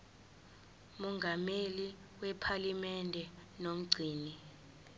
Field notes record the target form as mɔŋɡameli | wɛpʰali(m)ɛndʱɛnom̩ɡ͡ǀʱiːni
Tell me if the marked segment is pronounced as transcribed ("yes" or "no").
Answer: yes